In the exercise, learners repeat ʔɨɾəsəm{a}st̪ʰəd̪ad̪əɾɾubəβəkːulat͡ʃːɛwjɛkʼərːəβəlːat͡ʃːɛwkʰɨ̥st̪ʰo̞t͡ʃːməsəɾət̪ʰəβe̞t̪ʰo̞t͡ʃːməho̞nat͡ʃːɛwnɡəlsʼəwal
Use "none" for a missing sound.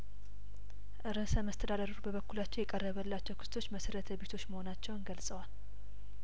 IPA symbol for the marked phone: ə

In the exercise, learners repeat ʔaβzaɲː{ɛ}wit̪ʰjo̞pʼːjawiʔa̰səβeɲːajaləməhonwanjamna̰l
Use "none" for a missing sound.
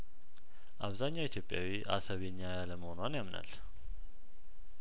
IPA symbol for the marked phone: a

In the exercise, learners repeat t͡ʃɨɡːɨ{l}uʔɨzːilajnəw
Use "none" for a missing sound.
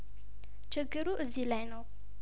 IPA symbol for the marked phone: ɾ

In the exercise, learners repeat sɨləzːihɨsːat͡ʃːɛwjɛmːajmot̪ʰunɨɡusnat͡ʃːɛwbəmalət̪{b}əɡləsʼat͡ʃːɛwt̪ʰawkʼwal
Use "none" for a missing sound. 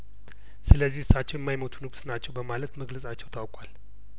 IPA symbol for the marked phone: m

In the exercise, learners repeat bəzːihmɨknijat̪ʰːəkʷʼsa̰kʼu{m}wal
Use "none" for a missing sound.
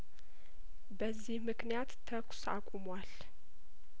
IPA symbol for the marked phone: m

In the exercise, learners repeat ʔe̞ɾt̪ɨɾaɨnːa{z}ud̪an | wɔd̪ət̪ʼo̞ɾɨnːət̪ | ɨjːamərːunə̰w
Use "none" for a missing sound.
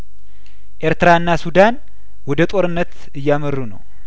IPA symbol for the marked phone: s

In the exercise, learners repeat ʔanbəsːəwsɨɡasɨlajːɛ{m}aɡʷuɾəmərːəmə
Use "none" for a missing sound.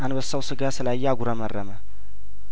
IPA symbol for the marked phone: none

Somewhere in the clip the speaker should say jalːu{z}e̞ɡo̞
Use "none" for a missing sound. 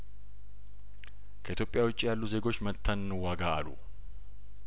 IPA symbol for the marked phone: z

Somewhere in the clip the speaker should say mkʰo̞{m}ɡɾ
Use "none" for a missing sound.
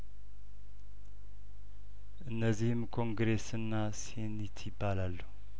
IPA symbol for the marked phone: ŋ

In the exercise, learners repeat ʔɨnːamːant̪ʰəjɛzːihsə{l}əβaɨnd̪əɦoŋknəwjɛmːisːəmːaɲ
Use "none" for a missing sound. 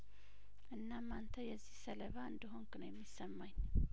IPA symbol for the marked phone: l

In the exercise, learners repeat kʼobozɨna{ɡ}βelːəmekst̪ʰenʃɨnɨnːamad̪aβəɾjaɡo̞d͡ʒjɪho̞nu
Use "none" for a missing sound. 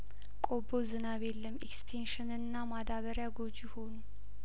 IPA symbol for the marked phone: none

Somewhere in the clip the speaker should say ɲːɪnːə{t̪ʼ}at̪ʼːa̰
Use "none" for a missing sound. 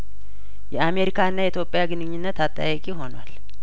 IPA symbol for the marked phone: t̪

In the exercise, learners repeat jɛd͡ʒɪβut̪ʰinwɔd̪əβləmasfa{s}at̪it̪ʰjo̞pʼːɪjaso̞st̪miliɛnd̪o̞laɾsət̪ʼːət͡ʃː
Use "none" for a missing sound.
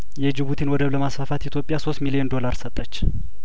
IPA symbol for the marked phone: f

